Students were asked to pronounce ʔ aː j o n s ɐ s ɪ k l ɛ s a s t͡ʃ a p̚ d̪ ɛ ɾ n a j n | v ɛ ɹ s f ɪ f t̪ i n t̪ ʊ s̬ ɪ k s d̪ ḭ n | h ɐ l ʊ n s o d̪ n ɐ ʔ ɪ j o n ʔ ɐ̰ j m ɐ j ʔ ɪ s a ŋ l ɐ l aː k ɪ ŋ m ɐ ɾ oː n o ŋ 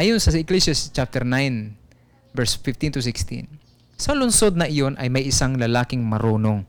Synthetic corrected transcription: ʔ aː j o n s ɐ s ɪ k l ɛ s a s t͡ʃ a p̚ t̪ ɛ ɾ n a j n | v ɛ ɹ s f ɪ f t̪ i n t̪ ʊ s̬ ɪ k s t̪ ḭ n | s ɐ l ʊ n s o d̪ n ɐ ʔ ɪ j o n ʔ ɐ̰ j m ɐ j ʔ ɪ s a ŋ l ɐ l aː k ɪ ŋ m ɐ ɾ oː n o ŋ